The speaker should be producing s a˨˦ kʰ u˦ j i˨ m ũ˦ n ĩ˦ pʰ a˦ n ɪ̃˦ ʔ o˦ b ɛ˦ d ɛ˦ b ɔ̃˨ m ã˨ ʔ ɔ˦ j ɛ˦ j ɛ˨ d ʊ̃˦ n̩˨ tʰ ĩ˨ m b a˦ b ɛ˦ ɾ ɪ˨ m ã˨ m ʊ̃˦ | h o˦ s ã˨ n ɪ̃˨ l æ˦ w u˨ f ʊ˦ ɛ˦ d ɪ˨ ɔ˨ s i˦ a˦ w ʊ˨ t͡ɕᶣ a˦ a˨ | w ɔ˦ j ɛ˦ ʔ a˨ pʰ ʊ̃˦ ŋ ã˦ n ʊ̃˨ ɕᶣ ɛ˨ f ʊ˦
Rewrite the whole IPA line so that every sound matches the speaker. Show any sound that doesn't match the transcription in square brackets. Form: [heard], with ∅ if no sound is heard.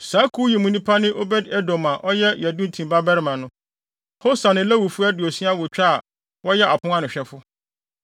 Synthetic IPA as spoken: s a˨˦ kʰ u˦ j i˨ m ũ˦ n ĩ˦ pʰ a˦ n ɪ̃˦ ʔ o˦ b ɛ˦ d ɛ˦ [d] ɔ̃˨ m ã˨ ʔ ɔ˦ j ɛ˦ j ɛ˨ d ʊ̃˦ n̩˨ tʰ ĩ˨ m b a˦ b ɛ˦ ɾ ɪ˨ m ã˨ [n] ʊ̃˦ | h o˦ s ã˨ n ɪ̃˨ l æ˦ w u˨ f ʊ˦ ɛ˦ d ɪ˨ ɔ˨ s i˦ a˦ w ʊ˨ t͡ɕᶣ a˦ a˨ | w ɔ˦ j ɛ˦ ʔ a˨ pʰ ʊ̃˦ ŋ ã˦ n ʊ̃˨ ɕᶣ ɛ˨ f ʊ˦

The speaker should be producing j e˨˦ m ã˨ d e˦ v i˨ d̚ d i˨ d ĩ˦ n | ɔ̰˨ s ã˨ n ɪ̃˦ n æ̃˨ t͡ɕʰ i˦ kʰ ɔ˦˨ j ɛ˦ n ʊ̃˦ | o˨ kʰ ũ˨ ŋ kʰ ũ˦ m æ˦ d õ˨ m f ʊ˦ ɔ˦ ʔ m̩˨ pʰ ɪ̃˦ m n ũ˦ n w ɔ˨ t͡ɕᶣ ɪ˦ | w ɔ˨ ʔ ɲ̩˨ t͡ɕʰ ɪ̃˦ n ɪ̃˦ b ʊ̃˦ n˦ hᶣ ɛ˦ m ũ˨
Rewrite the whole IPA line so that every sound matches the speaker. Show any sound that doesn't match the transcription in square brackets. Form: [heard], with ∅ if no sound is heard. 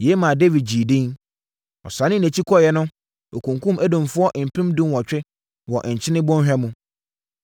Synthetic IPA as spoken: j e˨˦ m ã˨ d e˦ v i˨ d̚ [d͡ʑ] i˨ d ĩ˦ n | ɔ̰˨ s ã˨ n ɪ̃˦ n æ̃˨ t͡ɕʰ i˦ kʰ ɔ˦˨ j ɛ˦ n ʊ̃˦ | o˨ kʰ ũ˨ ŋ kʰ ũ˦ m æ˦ d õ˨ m f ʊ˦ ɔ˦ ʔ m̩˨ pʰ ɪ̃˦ m [d] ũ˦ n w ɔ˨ t͡ɕᶣ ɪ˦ | w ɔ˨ ʔ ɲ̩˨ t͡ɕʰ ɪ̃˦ n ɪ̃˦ b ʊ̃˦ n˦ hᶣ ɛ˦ m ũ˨

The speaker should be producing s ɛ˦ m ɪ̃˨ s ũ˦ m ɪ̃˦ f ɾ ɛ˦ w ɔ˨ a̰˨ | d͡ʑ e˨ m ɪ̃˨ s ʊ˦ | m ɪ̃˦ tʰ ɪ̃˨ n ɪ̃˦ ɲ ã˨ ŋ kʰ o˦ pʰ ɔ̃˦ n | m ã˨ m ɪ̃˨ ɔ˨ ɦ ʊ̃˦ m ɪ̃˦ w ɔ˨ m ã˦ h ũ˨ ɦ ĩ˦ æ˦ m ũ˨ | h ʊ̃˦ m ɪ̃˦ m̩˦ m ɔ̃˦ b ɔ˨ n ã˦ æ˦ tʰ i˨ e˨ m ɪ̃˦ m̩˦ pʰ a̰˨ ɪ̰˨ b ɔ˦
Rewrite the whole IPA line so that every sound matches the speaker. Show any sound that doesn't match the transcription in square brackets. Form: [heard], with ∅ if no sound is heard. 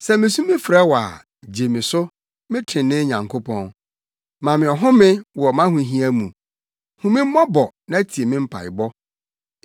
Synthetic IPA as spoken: s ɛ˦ m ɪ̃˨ s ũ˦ m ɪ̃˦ f ɾ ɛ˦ w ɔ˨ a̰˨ | d͡ʑ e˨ m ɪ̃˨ s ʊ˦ | m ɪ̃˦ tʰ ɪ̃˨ n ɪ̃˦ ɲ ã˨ ŋ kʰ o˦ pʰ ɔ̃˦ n | m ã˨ m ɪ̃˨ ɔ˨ ɦ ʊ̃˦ m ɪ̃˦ w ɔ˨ m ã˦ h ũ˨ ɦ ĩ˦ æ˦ m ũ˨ | h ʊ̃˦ m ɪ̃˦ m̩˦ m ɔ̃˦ b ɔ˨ n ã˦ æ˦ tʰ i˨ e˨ m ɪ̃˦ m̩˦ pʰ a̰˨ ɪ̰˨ b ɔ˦

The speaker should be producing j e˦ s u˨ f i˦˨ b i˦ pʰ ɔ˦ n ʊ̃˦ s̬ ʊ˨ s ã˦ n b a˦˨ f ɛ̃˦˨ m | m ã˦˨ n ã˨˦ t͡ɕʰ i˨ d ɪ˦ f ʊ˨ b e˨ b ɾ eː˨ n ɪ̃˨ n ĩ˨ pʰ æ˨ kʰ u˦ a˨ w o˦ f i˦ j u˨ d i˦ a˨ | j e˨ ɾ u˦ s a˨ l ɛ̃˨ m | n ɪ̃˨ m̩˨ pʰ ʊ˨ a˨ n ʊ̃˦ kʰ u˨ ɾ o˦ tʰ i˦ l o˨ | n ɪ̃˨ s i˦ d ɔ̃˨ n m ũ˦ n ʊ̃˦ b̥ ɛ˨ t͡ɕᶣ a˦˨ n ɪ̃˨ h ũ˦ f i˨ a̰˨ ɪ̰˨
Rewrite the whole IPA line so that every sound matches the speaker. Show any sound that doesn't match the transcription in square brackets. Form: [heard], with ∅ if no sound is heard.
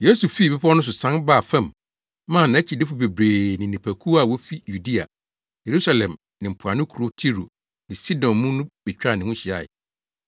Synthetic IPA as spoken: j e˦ s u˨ f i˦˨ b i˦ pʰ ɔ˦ n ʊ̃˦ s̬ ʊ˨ s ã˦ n b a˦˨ f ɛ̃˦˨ m | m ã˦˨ n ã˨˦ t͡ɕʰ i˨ d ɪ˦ f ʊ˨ b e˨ b ɾ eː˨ n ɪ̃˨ n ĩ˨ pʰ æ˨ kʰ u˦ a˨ w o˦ f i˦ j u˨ d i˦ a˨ | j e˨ ɾ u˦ s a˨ l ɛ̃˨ m | n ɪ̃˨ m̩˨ pʰ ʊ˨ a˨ n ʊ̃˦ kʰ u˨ ɾ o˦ tʰ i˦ [ɾ] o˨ | n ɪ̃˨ s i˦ d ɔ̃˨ n m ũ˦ n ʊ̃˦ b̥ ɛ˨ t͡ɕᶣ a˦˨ n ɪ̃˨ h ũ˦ [ɕ] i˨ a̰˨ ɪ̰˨

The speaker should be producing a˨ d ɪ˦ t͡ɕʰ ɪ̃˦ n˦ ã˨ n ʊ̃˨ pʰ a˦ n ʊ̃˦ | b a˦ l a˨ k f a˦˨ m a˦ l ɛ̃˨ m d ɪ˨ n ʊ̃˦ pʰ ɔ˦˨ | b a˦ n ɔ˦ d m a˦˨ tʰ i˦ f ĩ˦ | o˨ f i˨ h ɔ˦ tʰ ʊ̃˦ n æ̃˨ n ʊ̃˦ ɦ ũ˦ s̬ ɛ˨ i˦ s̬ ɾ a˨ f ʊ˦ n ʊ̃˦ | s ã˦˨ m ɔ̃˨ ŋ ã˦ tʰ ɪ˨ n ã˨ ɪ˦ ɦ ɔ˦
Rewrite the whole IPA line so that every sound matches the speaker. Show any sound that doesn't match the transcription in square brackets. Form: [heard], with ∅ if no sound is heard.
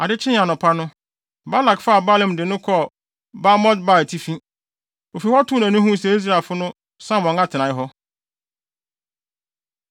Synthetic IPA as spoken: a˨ d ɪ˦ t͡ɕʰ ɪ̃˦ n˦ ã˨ n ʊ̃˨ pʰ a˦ n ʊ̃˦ | b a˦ l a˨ k f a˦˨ [b] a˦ l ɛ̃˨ m d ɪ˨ n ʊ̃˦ [kʰ] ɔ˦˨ | b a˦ [m] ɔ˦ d [b] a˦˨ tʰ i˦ f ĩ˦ | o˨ f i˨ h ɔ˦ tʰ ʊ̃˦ n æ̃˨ n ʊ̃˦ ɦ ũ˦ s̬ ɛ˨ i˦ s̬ ɾ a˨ f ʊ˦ n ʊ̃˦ | s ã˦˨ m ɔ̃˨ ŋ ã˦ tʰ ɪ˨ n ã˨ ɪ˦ ɦ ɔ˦

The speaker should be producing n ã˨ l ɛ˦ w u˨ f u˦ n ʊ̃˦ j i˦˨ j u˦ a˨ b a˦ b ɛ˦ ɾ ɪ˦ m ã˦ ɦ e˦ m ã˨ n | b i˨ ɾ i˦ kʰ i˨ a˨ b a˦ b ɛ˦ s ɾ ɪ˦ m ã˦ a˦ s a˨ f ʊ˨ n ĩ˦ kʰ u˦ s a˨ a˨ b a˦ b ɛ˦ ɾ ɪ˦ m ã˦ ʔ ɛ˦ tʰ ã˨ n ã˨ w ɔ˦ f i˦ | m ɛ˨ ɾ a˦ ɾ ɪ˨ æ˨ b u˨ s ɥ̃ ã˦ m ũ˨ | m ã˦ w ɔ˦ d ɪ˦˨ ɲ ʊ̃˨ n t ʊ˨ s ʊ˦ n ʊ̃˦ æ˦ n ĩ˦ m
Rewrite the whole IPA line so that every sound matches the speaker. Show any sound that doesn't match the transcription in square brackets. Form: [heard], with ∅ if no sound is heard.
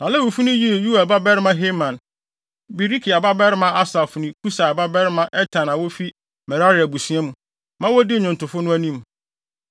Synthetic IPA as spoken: n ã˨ l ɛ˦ w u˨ f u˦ n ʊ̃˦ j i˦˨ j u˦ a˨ b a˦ b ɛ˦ ɾ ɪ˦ m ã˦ ɦ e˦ m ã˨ n | b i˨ ɾ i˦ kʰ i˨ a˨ b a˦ b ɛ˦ [∅] ɾ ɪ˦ m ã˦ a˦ s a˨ f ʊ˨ n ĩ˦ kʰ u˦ s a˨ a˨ b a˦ b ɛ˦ ɾ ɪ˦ m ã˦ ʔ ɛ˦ tʰ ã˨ n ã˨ w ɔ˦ f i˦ | m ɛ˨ ɾ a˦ ɾ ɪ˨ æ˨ b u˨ s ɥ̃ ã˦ m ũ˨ | m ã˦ w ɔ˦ d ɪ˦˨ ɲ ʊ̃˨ n t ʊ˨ [f] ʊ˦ n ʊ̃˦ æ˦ n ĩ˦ m

